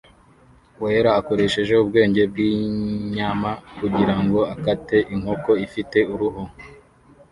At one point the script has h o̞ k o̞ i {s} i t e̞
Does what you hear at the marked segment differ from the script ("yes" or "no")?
yes